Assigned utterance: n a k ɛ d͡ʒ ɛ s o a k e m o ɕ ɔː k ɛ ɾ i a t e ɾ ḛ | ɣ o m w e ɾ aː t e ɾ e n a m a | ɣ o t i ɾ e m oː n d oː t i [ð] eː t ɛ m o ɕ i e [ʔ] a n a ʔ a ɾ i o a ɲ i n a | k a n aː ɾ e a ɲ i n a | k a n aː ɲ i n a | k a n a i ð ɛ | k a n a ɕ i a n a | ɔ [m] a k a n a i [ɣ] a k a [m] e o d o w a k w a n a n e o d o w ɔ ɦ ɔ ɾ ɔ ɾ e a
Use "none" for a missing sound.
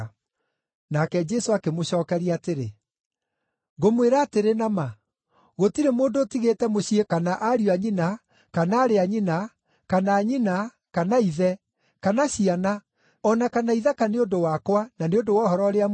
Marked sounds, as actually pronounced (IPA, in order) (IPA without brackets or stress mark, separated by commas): ɣ, k, n, ð, n